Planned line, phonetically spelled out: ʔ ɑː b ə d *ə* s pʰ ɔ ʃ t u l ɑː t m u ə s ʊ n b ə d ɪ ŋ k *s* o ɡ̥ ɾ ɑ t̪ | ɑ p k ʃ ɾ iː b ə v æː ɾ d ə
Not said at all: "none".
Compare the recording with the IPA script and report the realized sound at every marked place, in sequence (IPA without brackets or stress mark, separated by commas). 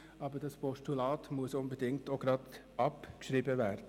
ɑ, t